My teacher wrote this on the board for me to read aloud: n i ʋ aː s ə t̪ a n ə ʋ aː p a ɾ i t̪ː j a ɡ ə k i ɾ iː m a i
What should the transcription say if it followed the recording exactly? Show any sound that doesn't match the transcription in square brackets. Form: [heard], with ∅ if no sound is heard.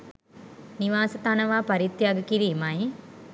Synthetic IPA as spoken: n i ʋ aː s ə t̪ a n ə ʋ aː p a ɾ i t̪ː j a ɡ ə k i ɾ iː m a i